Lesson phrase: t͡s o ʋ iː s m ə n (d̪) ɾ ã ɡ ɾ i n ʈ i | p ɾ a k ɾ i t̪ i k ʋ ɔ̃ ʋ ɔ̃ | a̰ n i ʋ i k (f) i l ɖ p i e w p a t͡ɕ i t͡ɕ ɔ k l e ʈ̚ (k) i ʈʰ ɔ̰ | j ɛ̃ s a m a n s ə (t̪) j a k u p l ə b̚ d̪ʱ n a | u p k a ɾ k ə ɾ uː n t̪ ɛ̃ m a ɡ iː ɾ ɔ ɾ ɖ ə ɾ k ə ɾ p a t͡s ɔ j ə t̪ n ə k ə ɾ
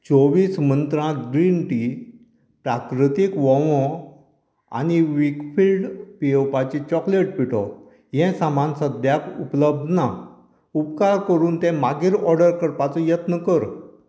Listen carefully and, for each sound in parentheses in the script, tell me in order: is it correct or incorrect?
incorrect: t̪, correct, incorrect: p, incorrect: d̪

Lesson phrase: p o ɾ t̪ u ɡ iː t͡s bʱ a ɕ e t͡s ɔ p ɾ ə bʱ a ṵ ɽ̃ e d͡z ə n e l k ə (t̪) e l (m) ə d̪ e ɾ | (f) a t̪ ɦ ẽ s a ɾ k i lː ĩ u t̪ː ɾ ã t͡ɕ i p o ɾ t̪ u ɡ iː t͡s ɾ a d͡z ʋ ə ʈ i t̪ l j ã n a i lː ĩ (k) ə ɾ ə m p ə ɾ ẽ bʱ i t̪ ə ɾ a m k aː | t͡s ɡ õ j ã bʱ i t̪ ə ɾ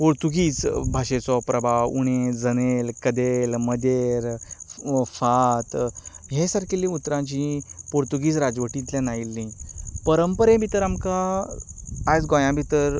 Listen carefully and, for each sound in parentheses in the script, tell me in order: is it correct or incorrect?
incorrect: d̪, correct, correct, incorrect: p

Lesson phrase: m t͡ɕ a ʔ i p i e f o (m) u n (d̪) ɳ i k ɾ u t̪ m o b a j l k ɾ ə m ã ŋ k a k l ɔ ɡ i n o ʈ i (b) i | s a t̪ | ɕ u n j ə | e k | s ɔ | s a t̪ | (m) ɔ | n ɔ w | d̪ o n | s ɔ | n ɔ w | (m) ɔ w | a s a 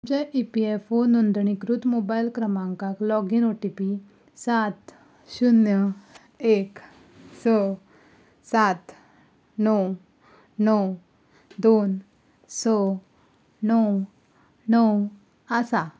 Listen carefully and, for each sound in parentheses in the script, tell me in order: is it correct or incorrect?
incorrect: n, correct, incorrect: p, incorrect: n, incorrect: n

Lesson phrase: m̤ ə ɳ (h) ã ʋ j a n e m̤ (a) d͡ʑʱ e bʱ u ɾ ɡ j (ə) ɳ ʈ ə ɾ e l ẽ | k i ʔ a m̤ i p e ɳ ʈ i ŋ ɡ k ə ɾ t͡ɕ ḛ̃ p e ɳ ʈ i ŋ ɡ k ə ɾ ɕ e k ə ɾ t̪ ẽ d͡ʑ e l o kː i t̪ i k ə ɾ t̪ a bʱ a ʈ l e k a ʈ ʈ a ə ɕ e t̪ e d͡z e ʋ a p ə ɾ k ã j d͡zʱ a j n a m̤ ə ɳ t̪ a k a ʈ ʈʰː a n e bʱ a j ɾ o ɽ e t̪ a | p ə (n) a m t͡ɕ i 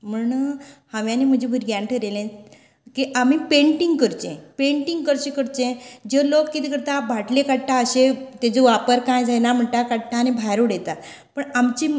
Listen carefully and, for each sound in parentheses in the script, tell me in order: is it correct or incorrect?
correct, incorrect: ə, incorrect: a, incorrect: ɳ

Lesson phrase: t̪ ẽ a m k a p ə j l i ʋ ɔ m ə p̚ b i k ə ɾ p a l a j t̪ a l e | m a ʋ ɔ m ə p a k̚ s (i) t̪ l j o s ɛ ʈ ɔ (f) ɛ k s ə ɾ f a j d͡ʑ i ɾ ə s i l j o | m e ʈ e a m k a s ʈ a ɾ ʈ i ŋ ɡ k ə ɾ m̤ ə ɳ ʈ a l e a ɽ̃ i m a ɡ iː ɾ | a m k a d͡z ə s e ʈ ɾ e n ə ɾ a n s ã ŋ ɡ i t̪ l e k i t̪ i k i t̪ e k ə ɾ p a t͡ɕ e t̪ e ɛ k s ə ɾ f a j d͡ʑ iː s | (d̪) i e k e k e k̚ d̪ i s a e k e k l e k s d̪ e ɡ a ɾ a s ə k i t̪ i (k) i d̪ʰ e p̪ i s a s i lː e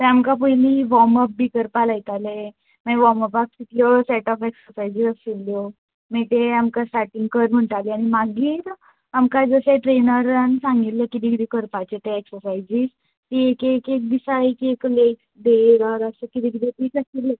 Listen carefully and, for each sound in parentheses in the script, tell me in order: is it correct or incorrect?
correct, correct, incorrect: t̪, correct

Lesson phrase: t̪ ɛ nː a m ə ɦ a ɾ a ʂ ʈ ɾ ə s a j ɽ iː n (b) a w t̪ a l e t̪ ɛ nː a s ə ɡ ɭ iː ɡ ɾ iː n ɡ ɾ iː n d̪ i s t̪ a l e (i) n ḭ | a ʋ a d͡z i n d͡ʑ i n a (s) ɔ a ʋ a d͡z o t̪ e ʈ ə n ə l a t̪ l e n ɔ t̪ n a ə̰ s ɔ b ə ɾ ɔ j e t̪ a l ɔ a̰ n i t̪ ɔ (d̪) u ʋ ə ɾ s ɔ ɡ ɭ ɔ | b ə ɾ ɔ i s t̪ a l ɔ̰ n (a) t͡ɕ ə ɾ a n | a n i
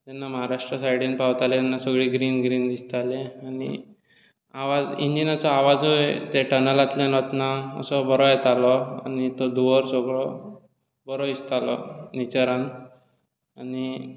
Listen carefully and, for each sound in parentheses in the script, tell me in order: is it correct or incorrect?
incorrect: p, incorrect: a, incorrect: t͡s, correct, incorrect: i

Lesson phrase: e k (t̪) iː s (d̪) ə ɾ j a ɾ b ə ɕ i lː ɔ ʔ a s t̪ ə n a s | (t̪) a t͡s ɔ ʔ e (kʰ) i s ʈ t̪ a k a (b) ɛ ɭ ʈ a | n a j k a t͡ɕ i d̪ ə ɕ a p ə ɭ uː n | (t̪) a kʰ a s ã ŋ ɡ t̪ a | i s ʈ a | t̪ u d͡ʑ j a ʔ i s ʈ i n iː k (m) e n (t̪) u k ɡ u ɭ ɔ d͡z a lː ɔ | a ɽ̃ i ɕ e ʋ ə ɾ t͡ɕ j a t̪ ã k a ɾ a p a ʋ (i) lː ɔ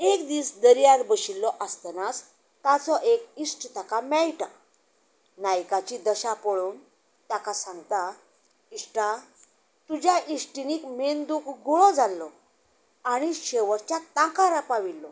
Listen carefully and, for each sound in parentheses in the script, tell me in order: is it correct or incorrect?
incorrect: d̪, correct, correct, incorrect: k, incorrect: m, correct, correct, incorrect: d̪, correct

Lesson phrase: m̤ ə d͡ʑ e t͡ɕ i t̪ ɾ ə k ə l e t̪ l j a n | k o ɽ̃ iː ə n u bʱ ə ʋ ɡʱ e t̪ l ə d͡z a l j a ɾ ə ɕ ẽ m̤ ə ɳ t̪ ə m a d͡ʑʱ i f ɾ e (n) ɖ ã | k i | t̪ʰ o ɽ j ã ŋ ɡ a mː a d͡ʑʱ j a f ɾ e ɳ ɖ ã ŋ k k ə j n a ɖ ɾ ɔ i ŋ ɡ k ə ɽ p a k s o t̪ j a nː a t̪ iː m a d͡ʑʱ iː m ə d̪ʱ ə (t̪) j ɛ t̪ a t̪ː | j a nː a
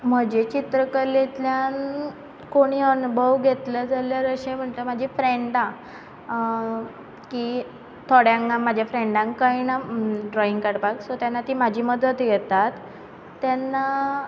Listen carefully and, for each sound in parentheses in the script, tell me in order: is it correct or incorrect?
incorrect: ɳ, correct

